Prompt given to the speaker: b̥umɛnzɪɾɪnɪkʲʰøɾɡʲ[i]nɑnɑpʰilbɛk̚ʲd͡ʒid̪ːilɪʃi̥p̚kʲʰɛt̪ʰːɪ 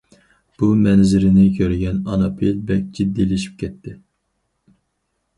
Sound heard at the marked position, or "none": ɛ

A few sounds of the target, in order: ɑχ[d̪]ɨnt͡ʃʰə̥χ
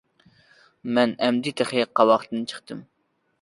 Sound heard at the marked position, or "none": t̪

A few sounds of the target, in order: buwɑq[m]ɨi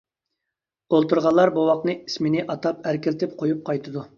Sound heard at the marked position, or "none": n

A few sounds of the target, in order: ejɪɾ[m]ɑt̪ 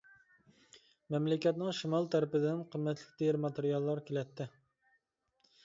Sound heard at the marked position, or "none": m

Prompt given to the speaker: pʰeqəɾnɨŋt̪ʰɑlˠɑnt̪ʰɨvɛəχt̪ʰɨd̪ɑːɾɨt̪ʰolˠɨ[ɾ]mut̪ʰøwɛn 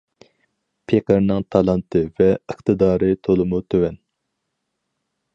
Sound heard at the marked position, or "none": none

